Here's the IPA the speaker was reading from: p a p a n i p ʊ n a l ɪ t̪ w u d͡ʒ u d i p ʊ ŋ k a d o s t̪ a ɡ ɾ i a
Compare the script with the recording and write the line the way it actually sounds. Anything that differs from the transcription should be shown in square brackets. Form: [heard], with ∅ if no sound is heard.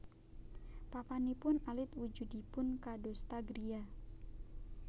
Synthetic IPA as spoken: p a p a n i p ʊ n a l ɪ t̪ w u d͡ʒ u d i p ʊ [n] k a d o s t̪ a ɡ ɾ i a